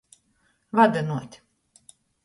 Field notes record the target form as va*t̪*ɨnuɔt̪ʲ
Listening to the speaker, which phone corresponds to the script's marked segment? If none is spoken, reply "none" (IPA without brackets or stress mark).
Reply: d̪